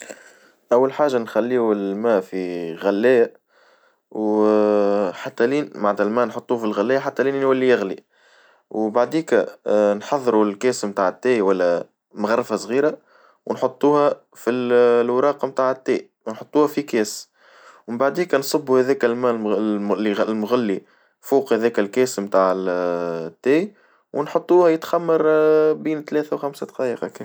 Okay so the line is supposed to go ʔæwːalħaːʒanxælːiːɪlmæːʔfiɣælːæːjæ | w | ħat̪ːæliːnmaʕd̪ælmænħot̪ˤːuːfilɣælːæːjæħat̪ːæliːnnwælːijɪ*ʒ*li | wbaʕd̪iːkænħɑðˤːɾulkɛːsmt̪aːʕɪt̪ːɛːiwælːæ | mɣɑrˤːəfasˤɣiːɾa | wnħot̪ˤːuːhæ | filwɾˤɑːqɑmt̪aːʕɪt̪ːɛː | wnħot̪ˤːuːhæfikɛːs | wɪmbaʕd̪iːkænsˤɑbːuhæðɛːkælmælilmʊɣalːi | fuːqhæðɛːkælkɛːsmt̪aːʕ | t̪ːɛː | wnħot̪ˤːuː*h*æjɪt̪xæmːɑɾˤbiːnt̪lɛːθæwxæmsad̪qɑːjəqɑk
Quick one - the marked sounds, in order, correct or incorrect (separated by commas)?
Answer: incorrect, correct